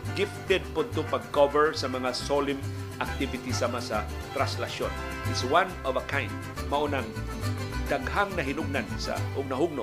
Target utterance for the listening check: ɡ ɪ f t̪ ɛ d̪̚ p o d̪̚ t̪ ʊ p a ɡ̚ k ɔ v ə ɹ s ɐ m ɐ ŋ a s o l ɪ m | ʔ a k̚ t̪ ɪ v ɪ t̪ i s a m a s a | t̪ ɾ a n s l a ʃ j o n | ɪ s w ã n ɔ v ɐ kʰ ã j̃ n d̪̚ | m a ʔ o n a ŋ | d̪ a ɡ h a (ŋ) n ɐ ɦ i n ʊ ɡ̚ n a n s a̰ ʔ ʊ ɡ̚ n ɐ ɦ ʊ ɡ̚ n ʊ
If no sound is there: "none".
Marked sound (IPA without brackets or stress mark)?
ŋ